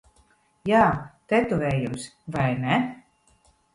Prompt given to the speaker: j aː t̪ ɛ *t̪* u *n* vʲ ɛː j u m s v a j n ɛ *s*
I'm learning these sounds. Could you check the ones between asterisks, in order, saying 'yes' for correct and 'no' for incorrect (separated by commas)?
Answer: yes, no, no